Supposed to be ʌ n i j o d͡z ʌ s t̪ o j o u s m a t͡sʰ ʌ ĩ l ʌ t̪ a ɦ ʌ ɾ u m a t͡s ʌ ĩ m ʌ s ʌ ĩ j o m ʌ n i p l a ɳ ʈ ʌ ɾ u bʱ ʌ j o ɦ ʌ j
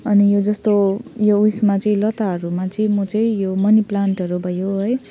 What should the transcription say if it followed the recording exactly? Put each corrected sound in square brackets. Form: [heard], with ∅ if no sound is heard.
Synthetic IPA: ʌ n i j o d͡z ʌ s t̪ o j o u s m a [t͡s] ʌ ĩ l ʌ t̪ a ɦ ʌ ɾ u m a t͡s ʌ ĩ m ʌ [t͡s] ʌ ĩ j o m ʌ n i p l a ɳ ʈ ʌ ɾ u bʱ ʌ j o ɦ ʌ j

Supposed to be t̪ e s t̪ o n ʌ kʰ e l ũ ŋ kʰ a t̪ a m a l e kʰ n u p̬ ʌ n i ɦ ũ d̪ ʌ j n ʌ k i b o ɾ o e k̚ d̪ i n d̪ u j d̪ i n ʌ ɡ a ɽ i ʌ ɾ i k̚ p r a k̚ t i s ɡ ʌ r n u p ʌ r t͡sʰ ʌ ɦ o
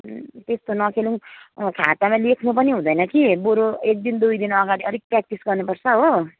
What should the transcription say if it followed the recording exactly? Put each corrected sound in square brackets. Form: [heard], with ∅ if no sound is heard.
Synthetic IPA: t̪ e s t̪ o n ʌ kʰ e l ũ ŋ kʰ a t̪ a m a l e kʰ n u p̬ ʌ n i ɦ ũ d̪ ʌ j n ʌ k i b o ɾ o e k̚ d̪ i n d̪ u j d̪ i n ʌ ɡ a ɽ i ʌ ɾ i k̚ p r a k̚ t i s ɡ ʌ r n u p ʌ r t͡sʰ ʌ ɦ o

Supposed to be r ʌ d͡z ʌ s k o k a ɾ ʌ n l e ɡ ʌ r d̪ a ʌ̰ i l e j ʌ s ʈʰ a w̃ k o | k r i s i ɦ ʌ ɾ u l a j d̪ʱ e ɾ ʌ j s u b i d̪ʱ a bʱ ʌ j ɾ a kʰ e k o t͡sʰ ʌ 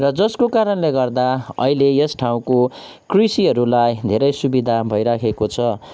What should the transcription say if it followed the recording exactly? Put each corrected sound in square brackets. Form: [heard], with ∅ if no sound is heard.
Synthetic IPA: r ʌ d͡z ʌ s k o k a ɾ ʌ n l e ɡ ʌ r d̪ a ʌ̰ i l e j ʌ s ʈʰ a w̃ k o | k r i s i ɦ ʌ ɾ u l a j d̪ʱ e ɾ ʌ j s u b i d̪ʱ a bʱ ʌ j ɾ a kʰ e k o t͡sʰ ʌ

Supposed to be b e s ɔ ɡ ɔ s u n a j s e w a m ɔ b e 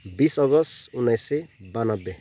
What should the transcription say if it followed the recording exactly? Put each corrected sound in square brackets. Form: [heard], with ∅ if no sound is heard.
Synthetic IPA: b [i] s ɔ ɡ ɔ s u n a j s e [b] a [n] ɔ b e

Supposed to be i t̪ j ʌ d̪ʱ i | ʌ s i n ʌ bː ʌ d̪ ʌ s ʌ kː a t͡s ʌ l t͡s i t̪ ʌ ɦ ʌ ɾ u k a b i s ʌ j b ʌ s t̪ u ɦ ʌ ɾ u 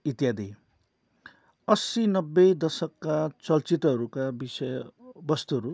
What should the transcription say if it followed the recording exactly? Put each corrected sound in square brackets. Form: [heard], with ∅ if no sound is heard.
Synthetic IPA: i t̪ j [a] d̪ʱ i | ʌ s i n ʌ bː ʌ d̪ ʌ s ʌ kː a t͡s ʌ l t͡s i t̪ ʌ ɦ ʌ ɾ u k a b i s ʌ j b ʌ s t̪ u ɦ ʌ ɾ u

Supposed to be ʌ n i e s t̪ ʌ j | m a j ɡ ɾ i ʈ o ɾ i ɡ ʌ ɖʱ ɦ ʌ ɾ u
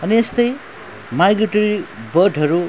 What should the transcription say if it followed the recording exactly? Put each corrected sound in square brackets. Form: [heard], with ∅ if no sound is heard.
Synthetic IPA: ʌ n i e s t̪ ʌ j | m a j ɡ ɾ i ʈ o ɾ i [b] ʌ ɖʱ ɦ ʌ ɾ u

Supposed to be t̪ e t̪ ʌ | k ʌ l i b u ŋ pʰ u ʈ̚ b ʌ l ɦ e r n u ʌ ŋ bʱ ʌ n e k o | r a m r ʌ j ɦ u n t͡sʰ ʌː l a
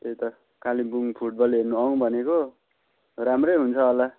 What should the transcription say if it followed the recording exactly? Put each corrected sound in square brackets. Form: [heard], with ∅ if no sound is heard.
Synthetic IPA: t̪ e t̪ ʌ | k [a] l i b u ŋ pʰ u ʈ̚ b ʌ l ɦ e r n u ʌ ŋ bʱ ʌ n e k o | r a m r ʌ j ɦ u n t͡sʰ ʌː l a

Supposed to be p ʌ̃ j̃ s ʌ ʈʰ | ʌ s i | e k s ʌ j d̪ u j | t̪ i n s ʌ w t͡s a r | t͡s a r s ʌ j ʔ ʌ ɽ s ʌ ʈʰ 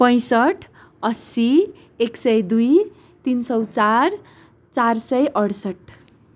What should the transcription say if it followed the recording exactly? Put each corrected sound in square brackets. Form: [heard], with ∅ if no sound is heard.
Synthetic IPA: p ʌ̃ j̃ s ʌ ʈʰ | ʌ s i | e k s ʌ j d̪ u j | t̪ i n s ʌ w t͡s a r | t͡s a r s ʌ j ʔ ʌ ɽ s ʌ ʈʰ

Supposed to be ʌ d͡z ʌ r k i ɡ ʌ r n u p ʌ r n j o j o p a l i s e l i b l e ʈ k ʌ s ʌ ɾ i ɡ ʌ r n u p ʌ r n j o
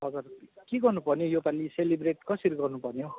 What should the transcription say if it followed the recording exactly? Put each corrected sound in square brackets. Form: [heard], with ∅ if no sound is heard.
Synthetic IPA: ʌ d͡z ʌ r k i ɡ ʌ r n u p ʌ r n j o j o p a l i s e l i b [r] e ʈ k ʌ s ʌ ɾ i ɡ ʌ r n u p ʌ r n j o

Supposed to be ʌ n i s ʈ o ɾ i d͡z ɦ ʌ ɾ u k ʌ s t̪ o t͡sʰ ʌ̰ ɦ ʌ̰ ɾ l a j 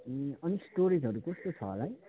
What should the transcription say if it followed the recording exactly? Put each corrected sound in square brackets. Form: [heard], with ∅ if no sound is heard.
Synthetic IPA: ʌ n i s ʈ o ɾ i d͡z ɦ ʌ ɾ u k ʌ s t̪ o t͡sʰ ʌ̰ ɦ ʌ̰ [∅] l a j

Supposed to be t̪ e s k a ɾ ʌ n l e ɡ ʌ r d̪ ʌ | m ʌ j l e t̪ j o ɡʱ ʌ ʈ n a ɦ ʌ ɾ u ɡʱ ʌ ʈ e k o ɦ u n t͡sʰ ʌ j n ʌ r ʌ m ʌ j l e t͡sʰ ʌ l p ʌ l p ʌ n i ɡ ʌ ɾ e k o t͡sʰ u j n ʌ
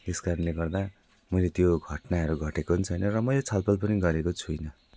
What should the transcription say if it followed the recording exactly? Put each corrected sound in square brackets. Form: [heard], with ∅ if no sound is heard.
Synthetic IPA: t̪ e s k a ɾ ʌ n l e ɡ ʌ r d̪ [a] | m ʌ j l e t̪ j o ɡʱ ʌ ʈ n a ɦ ʌ ɾ u ɡʱ ʌ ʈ e k o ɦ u n t͡sʰ ʌ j n ʌ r ʌ m ʌ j l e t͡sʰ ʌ l p ʌ l p ʌ n i ɡ ʌ ɾ e k o t͡sʰ u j n ʌ

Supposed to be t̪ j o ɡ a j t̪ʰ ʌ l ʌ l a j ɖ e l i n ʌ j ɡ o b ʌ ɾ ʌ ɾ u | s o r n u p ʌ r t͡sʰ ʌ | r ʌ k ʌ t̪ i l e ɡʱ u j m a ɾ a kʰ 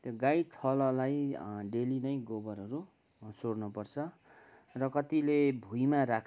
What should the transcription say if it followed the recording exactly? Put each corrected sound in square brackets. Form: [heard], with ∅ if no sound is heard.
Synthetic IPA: t̪ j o ɡ a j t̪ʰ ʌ l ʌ l a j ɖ e l i n ʌ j ɡ o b ʌ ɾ ʌ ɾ u | s o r n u p ʌ r t͡sʰ ʌ | r ʌ k ʌ t̪ i l e [bʱ] u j m a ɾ a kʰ

